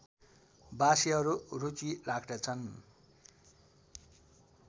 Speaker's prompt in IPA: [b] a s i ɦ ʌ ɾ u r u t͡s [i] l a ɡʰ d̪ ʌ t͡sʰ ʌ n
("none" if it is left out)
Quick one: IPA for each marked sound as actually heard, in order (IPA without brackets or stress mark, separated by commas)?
b, i